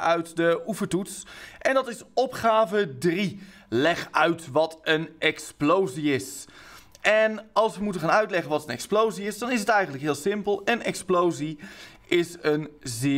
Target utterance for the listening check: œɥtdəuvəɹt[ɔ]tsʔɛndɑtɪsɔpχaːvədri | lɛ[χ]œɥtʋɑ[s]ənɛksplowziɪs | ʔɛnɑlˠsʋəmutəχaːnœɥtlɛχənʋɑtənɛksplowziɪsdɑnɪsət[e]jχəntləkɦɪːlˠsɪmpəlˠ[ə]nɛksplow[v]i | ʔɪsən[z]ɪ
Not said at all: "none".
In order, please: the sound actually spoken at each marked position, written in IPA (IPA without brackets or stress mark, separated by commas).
u, χ, t, ɛ, ə, z, z